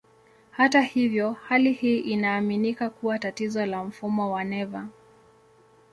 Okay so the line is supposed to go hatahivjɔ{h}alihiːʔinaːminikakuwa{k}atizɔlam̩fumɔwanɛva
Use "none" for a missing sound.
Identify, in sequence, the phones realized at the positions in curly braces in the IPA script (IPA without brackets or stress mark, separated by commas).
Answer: h, t